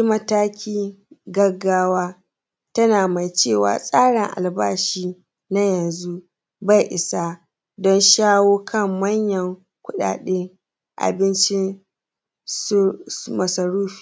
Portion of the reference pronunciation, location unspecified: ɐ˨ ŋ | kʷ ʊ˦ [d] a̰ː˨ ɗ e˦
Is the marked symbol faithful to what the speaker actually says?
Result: no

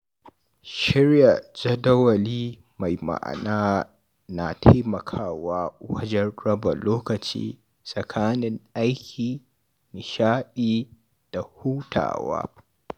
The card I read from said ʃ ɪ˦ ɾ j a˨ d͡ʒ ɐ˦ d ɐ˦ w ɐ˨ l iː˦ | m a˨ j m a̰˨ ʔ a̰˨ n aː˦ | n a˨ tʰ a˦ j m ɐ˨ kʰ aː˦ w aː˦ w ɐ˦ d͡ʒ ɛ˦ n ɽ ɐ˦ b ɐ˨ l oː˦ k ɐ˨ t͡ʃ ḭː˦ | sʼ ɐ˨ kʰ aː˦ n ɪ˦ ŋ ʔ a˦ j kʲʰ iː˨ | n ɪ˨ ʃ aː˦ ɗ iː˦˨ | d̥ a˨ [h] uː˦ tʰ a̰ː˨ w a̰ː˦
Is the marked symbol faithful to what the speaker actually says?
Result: yes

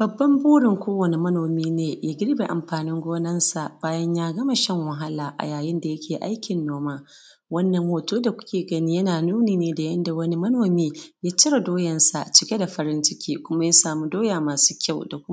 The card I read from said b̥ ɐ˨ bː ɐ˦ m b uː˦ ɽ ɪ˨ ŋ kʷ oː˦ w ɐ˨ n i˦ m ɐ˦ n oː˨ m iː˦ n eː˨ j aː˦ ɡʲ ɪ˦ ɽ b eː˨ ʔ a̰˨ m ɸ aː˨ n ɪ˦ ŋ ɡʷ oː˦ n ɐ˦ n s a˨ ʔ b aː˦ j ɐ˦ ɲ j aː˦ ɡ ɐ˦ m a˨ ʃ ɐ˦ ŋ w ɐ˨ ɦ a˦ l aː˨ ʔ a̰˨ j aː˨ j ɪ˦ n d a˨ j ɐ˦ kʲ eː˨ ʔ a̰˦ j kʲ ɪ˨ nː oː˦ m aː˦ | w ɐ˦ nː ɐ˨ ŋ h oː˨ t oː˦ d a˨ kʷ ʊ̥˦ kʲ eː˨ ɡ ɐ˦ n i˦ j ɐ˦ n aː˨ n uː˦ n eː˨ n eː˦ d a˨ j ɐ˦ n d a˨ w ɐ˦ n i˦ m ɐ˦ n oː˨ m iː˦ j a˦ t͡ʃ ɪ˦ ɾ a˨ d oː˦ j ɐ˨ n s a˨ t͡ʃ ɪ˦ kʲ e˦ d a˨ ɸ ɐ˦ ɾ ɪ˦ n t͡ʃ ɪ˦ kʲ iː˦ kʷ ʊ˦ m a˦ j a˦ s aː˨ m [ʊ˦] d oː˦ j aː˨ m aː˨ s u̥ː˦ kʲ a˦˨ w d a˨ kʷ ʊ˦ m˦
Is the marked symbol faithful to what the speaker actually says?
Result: no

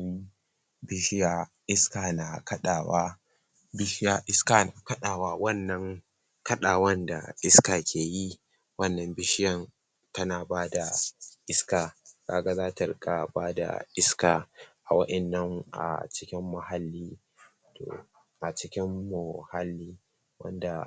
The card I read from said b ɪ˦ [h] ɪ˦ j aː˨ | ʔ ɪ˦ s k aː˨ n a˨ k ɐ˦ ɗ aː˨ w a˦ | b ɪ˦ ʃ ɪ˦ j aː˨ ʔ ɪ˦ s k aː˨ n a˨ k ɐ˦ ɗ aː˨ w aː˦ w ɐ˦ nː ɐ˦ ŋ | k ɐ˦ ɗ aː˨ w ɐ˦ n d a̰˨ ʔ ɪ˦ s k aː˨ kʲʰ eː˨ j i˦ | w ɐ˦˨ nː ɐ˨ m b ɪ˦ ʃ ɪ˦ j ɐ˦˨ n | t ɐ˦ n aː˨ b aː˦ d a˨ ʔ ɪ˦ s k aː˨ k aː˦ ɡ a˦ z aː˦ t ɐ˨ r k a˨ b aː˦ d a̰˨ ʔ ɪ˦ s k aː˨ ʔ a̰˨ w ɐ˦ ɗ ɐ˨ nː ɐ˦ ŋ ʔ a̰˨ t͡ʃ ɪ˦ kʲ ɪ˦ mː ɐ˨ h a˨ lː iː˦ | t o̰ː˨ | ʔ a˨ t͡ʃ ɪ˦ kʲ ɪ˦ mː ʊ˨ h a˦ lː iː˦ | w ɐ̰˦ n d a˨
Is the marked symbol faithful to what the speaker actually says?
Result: no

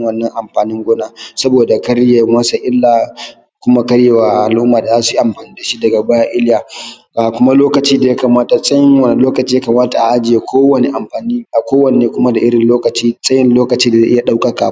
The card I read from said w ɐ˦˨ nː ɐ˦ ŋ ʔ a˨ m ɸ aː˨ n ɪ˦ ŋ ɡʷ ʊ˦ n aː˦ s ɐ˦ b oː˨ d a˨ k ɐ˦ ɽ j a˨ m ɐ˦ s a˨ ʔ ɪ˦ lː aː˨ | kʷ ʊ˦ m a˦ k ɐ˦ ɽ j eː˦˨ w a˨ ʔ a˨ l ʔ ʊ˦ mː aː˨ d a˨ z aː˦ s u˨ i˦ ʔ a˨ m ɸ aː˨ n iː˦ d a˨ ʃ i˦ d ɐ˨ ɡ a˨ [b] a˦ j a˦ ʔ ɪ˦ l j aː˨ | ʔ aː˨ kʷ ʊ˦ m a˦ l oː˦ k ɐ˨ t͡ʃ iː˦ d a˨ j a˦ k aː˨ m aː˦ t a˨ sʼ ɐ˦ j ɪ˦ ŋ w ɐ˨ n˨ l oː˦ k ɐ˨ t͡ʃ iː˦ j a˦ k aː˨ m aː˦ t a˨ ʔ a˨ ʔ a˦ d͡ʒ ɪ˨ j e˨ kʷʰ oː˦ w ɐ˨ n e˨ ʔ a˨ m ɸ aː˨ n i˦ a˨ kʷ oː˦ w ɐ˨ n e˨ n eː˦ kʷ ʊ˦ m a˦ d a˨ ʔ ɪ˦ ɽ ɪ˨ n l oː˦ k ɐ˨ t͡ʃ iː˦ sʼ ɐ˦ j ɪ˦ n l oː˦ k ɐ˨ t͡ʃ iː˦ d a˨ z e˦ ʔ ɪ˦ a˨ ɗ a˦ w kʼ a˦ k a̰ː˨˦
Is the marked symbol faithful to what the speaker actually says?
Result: yes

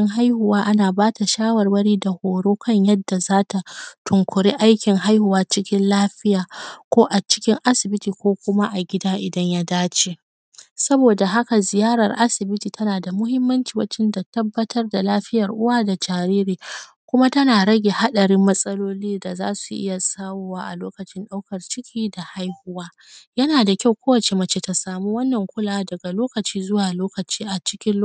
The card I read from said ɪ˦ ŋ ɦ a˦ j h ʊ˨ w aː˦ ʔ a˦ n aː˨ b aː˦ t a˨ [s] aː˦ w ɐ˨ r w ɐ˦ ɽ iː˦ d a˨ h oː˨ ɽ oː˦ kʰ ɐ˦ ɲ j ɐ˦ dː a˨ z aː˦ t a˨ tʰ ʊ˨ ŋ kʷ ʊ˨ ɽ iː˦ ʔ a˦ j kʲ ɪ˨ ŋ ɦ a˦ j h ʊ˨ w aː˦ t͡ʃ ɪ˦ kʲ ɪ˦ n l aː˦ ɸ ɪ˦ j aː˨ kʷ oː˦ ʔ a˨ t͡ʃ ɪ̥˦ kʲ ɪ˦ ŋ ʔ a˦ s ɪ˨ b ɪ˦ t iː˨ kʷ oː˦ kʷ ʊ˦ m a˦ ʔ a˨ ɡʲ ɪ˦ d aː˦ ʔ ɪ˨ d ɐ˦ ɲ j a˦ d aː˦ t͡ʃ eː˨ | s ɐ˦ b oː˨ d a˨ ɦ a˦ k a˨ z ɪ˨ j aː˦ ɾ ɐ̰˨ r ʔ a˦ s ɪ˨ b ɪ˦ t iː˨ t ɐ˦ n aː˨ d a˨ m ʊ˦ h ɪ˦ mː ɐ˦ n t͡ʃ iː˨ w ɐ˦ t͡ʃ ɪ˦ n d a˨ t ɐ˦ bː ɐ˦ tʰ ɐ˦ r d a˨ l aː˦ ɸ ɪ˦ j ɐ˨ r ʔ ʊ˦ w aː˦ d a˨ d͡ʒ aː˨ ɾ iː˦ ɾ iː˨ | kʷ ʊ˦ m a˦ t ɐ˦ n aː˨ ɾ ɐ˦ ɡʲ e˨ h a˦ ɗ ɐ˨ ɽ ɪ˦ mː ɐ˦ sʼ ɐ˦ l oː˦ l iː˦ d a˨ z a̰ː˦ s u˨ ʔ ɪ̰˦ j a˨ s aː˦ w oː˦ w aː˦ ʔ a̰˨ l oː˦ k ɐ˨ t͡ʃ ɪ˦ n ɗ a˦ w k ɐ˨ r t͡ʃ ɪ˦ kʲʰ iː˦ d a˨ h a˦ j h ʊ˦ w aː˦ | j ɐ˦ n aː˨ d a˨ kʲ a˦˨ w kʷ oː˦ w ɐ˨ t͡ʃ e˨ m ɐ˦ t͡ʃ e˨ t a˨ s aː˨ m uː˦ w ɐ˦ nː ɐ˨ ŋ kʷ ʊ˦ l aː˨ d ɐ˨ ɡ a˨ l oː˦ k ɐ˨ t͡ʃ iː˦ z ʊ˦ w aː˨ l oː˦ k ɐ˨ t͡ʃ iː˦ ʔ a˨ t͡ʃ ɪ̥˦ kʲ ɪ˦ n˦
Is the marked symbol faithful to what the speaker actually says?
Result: no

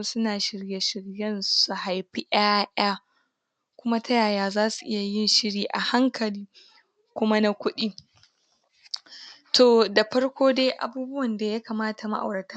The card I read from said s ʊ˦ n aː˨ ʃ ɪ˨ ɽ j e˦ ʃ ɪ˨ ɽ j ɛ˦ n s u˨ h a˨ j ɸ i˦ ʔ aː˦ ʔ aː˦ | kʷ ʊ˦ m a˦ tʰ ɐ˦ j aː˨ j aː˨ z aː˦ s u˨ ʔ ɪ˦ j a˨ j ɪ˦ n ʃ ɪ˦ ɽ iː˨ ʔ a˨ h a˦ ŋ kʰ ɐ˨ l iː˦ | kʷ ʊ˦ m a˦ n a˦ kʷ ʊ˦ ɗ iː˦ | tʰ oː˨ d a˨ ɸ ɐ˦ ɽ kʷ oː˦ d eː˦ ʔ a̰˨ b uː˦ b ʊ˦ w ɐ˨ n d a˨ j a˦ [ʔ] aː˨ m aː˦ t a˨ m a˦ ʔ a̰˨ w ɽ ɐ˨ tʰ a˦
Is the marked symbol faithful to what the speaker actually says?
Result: no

